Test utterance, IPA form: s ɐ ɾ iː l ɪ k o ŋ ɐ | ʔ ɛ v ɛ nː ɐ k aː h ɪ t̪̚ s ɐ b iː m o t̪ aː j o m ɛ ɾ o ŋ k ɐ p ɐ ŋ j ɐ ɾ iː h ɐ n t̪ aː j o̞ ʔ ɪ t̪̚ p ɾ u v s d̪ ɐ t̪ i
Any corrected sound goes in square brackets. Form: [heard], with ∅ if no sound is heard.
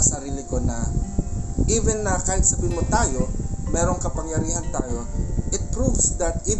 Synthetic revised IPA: s ɐ ɾ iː l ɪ k o [n] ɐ | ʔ [i] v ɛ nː ɐ k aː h ɪ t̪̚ s ɐ b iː m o t̪ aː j o m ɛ ɾ o ŋ k ɐ p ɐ ŋ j ɐ ɾ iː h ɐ n t̪ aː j o̞ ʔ ɪ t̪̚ p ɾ u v s d̪ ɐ t̪ i